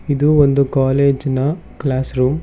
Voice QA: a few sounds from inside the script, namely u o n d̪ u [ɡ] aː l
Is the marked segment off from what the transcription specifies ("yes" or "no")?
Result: yes